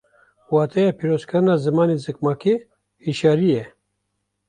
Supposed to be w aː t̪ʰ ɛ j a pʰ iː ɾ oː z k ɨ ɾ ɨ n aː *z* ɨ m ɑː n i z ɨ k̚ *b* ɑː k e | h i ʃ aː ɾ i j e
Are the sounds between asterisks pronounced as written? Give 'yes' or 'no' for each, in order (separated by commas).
yes, no